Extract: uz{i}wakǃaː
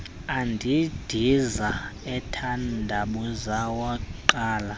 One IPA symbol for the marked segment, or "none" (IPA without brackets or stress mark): a